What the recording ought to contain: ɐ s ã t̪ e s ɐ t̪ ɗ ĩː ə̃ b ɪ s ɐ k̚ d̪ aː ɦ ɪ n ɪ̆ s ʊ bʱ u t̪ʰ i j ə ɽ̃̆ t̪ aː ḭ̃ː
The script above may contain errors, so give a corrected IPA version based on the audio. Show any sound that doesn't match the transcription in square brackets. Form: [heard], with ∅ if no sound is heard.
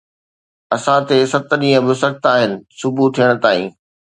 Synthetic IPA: ɐ s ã t̪ e s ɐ t̪ ɗ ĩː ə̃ b ɪ s ɐ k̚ [t̪] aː ɦ ɪ n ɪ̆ s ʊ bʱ u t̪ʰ i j ə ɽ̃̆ t̪ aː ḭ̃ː